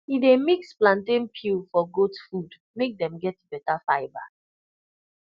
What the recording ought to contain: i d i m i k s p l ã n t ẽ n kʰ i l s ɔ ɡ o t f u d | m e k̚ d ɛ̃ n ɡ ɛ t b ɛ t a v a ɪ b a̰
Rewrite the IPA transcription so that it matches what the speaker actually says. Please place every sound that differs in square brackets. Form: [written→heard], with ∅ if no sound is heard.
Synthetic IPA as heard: i d [i→e] m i k s p l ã n t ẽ n [kʰ→pʰ] i l [s→f] ɔ ɡ o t f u d | m e k̚ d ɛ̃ [n→m] ɡ ɛ t b ɛ t a [v→f] a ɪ b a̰